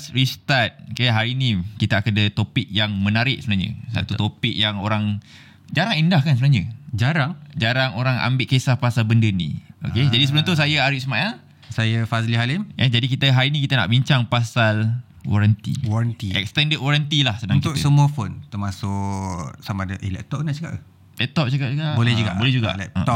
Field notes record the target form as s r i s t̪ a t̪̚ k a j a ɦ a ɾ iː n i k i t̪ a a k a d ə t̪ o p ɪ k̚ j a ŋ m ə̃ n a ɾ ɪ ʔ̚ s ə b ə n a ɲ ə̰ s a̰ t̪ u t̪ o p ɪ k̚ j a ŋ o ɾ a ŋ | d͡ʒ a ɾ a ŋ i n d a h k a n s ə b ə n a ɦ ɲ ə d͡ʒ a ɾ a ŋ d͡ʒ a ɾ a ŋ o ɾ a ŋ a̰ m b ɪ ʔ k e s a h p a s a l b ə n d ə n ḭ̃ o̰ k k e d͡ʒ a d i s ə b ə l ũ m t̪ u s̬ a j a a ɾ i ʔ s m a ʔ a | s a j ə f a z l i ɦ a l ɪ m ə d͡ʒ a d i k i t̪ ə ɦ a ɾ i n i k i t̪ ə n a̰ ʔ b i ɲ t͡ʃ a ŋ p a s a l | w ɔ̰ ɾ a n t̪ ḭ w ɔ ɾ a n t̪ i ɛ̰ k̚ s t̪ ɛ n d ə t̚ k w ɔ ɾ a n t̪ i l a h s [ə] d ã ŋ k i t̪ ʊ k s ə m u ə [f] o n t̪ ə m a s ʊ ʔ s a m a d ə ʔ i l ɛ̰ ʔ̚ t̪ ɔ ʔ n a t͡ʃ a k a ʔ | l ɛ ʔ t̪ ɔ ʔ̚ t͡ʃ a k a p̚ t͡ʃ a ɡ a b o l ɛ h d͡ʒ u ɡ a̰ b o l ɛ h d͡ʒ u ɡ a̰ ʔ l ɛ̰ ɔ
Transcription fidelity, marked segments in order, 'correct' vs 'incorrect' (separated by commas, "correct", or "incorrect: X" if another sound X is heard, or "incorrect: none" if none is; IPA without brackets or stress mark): correct, correct